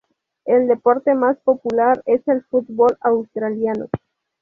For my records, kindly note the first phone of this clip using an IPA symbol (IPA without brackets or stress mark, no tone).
e